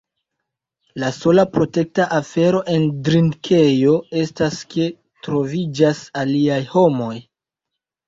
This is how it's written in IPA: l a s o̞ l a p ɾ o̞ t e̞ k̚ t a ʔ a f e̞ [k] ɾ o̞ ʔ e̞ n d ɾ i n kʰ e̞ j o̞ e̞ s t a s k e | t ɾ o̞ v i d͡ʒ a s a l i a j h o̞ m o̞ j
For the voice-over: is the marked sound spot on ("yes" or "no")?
no